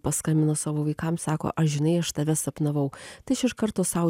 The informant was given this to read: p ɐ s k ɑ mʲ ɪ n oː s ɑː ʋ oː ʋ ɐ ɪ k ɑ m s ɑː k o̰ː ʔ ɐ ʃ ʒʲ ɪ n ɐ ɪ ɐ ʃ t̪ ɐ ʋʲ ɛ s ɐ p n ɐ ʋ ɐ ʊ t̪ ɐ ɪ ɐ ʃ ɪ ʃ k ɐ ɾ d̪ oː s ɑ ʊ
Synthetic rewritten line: p ɐ s k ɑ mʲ ɪ n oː s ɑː ʋ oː ʋ ɐ ɪ k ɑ m s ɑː k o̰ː ʔ ɐ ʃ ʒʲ ɪ n ɐ ɪ ɐ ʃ t̪ ɐ ʋʲ ɛ s ɐ p n ɐ ʋ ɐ ʊ t̪ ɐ ɪ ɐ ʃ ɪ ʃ k ɐ ɾ t̪ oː s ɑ ʊ